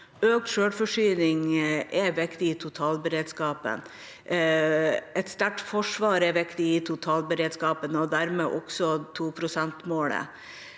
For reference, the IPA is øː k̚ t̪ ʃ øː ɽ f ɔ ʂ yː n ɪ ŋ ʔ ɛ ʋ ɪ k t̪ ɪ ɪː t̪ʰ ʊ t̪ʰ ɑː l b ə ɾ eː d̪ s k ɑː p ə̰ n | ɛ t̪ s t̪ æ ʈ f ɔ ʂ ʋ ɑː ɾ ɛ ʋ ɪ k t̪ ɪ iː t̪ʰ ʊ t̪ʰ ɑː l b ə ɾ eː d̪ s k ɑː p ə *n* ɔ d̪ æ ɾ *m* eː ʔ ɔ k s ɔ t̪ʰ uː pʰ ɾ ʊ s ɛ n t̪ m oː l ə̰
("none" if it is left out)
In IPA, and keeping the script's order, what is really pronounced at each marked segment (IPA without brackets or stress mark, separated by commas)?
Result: n, m